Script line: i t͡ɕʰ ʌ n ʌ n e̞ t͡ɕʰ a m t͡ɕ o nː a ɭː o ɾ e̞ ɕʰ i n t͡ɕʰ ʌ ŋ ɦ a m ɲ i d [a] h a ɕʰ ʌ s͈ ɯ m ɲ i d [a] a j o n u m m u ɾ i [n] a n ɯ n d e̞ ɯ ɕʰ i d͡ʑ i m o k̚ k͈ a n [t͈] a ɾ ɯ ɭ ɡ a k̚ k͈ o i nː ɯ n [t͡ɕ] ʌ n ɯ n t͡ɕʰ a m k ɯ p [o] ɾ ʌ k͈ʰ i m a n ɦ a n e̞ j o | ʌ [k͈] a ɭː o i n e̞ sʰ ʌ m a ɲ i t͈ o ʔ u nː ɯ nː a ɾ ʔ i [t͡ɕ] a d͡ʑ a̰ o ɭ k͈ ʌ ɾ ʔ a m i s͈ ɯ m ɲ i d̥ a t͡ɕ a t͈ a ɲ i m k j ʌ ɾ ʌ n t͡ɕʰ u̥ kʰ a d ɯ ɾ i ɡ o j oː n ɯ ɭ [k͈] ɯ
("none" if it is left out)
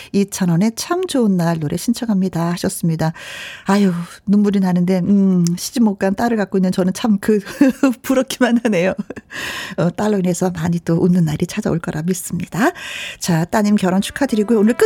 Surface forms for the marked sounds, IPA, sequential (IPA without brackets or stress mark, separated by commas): a, a, n, t͈, t͡ɕ, u, t͈, t͡ɕʰ, k͈